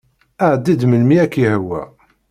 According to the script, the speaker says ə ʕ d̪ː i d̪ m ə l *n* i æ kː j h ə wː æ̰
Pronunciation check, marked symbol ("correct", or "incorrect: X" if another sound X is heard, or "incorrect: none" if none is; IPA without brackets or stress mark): incorrect: m